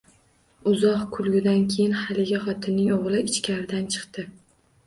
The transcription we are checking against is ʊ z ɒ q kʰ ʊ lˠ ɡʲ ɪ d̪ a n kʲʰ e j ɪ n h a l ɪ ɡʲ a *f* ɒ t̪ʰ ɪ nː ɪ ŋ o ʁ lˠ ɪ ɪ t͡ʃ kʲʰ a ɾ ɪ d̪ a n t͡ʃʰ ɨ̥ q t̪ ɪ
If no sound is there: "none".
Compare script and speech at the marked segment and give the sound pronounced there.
χ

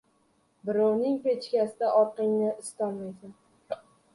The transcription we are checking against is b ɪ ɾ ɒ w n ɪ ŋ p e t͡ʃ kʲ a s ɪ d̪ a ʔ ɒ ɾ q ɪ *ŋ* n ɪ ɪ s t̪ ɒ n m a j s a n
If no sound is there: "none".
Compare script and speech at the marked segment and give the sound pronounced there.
ŋ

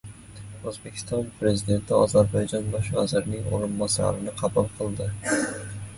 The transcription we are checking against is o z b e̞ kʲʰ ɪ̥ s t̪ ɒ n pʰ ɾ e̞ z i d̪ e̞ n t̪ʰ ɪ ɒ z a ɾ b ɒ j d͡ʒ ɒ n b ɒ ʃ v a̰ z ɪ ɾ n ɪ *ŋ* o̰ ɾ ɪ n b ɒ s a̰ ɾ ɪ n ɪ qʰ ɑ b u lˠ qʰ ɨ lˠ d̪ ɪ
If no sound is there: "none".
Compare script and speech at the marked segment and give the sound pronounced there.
ŋ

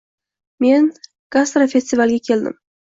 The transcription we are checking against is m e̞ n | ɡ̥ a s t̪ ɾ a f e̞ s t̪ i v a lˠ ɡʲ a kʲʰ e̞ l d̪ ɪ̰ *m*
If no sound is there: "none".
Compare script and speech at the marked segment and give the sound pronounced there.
m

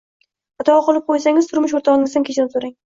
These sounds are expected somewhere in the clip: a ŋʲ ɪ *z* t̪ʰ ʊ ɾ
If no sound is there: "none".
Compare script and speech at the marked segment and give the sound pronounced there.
z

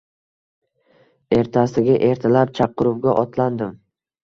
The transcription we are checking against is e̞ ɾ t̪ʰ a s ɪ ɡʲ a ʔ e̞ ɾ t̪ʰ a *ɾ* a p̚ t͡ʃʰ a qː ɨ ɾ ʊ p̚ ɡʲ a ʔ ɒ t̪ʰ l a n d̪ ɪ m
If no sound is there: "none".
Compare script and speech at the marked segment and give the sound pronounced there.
l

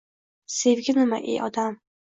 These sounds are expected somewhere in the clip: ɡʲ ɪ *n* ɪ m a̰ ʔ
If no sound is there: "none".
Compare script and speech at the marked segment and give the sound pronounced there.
n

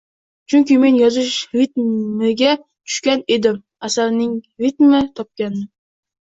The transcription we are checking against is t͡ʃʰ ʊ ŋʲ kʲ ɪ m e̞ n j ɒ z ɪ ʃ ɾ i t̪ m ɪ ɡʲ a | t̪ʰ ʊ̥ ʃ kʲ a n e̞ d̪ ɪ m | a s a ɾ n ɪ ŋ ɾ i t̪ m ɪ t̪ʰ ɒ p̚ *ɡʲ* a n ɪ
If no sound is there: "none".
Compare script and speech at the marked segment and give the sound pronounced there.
kʲ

